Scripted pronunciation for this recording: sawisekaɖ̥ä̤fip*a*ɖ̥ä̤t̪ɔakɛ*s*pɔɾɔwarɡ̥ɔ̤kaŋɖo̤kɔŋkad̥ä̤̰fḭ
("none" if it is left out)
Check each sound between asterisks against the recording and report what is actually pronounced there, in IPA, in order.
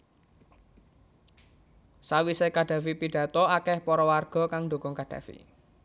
i, h

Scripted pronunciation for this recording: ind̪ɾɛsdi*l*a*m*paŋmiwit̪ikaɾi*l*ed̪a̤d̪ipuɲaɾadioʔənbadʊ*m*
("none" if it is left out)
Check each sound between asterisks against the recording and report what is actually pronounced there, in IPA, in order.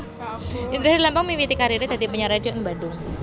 l, m, ɾ, ŋ

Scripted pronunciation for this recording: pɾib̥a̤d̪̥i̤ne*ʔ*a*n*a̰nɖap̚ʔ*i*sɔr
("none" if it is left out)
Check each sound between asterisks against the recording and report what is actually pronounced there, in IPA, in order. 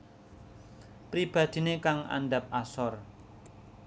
k, ŋ, a

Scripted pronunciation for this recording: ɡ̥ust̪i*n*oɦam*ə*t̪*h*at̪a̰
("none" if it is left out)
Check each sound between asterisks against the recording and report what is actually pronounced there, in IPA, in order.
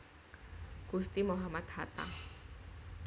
m, a, h

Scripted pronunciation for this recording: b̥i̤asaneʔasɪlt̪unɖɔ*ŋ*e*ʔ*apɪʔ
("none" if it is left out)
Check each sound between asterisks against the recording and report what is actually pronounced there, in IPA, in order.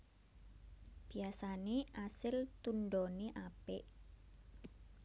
n, ʔ

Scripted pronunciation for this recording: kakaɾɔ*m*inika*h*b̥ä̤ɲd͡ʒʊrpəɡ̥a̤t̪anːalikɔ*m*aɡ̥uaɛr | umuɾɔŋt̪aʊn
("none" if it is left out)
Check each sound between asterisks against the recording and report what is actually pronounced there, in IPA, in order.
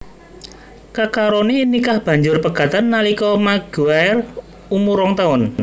n, h, m

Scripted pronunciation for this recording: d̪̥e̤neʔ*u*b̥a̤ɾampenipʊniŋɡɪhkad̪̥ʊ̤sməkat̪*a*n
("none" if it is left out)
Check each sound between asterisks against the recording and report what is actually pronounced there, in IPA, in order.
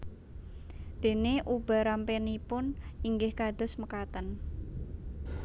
u, ə

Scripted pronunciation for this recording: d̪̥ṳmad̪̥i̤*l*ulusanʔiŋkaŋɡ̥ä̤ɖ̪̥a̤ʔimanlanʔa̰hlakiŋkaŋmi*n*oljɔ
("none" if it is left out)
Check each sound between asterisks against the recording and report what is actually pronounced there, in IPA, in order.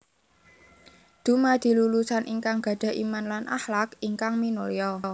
l, n

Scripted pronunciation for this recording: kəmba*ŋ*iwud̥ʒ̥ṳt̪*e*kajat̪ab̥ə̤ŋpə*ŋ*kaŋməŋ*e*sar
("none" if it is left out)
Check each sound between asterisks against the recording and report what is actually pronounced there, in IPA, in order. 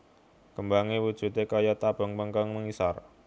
ŋ, e, ŋ, i

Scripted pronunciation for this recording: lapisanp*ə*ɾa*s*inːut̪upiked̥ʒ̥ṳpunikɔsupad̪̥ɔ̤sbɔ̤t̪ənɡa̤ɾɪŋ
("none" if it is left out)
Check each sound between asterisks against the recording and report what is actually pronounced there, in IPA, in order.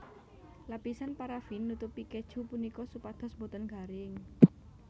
a, f

